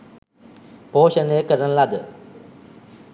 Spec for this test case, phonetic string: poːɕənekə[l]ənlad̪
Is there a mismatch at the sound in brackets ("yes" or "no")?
yes